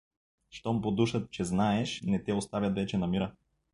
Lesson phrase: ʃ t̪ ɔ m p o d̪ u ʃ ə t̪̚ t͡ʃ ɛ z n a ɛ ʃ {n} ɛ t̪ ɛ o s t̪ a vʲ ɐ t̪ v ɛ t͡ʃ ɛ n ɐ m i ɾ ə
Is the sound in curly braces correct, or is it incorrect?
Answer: correct